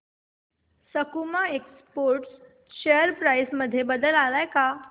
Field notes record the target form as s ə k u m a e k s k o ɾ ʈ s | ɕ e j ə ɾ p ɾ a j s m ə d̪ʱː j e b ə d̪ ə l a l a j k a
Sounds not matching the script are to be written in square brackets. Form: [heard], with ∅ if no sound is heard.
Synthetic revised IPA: s ə k u m a e k s [p] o ɾ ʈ s | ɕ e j ə ɾ p ɾ a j s m ə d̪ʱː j e b ə d̪ ə l a l a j k a